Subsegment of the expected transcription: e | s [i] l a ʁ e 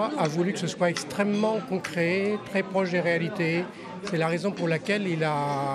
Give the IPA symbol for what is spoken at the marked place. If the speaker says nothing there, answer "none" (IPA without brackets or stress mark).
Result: ɛ